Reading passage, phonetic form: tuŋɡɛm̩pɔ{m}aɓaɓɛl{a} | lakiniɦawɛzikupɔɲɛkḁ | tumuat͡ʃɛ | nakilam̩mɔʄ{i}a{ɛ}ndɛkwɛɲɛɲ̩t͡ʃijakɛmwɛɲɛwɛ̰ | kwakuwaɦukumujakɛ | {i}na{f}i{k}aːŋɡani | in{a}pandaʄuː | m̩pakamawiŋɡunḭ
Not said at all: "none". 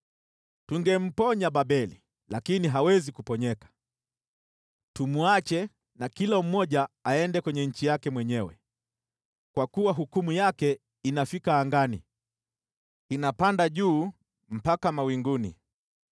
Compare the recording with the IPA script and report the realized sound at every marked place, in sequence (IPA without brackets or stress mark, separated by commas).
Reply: ɲ, i, a, ɛ, i, f, k, a